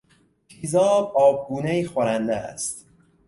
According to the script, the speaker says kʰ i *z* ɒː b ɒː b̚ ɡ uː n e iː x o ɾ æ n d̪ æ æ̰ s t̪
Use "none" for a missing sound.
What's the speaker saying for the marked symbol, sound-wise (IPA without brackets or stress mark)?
z